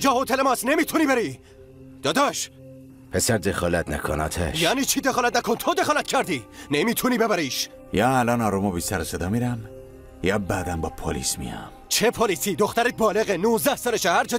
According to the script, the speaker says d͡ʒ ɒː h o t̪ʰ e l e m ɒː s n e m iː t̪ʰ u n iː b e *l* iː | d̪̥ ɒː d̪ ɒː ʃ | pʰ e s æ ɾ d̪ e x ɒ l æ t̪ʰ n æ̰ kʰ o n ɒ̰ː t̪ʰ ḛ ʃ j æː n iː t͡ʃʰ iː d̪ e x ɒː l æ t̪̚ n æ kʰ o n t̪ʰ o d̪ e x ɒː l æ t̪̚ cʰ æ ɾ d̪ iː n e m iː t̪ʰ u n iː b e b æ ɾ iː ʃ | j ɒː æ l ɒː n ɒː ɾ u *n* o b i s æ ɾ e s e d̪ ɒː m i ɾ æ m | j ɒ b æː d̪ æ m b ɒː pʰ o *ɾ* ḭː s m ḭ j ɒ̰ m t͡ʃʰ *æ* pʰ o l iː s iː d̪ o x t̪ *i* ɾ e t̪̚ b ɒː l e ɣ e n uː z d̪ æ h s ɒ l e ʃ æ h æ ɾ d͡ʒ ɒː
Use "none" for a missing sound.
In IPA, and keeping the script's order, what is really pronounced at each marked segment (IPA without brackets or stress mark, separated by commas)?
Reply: ɾ, m, l, e, æ